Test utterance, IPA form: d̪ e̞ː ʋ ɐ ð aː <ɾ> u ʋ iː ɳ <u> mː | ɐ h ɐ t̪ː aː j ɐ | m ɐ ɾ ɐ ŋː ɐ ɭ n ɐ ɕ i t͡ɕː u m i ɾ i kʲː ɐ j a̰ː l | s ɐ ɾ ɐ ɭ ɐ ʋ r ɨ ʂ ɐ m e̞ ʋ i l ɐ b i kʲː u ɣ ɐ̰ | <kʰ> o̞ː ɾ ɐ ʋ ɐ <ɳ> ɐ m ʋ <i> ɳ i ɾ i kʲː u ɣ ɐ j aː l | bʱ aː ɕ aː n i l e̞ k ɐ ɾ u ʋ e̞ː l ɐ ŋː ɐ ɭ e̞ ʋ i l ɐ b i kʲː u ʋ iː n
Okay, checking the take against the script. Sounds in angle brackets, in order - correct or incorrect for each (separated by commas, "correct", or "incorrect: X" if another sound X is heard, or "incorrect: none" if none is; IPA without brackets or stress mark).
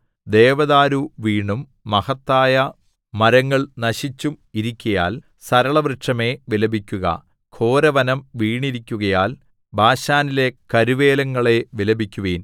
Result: correct, correct, correct, incorrect: n, incorrect: iː